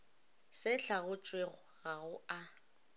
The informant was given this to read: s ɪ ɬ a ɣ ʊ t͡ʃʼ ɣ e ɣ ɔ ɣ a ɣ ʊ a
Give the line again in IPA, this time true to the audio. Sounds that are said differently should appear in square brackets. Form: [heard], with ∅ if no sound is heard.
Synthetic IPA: s ɪ ɬ a ɣ ʊ t͡ʃʼ [w] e ɣ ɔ ɣ a ɣ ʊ a